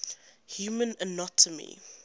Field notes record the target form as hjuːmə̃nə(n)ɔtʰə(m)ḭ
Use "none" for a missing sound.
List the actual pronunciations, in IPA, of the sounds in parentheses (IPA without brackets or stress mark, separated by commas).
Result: n, m